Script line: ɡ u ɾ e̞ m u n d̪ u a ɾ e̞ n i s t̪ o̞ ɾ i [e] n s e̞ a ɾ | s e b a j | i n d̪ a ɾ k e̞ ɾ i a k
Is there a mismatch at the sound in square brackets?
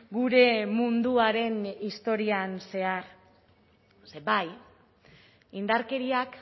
yes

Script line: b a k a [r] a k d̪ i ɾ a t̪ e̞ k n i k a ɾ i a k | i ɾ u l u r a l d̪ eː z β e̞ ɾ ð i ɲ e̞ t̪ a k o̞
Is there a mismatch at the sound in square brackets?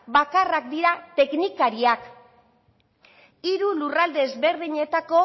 no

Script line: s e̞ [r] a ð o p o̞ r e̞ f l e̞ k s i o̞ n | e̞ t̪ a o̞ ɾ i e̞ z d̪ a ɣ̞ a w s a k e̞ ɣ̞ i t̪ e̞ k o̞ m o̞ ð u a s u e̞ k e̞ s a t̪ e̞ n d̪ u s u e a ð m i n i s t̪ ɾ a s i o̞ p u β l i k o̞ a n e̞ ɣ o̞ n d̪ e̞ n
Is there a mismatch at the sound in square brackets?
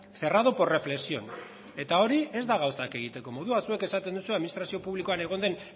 no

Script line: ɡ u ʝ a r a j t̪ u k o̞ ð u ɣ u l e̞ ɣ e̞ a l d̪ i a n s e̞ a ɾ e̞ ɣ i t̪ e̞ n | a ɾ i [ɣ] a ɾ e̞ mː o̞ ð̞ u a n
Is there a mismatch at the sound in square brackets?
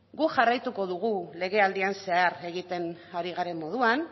no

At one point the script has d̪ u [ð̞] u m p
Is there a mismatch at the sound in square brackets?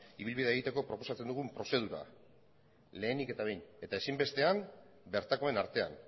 yes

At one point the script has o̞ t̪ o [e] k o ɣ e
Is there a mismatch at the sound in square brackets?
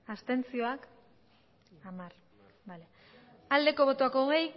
yes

